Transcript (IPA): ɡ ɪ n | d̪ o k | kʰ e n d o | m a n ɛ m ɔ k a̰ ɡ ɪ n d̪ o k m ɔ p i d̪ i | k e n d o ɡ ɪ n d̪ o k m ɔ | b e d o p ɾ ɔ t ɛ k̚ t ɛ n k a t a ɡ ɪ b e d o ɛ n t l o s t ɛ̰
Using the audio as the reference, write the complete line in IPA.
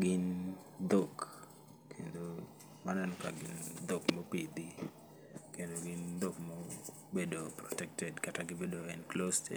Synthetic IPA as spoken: ɡ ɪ n | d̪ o k | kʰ e n d o | m a n ɛ n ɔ k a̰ ɡ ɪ n d̪ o k m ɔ p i d̪ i | k e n d o ɡ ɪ n d̪ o k m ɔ | b e d o p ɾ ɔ t ɛ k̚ t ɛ d k a t a ɡ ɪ b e d o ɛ n k l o s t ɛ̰